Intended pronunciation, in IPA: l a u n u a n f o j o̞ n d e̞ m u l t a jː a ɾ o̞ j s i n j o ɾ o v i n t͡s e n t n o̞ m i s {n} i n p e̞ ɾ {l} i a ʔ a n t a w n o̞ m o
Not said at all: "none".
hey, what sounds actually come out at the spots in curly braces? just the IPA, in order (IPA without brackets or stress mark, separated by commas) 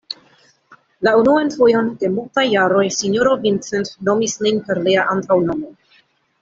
n, l